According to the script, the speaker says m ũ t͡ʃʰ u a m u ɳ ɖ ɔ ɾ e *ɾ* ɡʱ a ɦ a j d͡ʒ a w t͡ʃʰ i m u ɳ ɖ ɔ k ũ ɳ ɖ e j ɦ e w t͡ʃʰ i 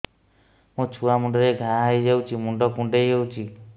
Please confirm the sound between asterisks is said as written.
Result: no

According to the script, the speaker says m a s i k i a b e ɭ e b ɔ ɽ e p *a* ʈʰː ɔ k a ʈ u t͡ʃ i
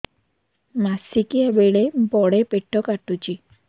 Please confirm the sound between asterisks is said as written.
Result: no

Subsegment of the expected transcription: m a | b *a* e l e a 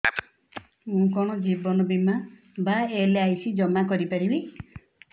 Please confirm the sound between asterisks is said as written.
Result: yes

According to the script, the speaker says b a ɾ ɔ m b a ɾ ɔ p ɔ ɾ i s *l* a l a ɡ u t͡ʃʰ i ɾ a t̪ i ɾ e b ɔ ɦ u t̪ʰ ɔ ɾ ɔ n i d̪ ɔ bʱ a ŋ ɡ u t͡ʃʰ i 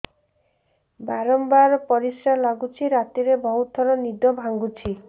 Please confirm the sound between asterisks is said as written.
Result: no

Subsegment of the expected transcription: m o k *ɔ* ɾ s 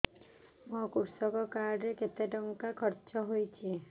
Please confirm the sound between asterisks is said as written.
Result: no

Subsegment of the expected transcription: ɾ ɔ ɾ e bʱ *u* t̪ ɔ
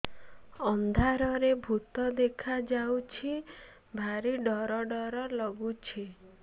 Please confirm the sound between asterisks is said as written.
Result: yes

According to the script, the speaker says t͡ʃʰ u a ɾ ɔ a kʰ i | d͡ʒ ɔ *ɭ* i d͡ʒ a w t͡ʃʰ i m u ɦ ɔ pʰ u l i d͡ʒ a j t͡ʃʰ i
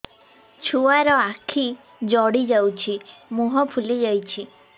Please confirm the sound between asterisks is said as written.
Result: no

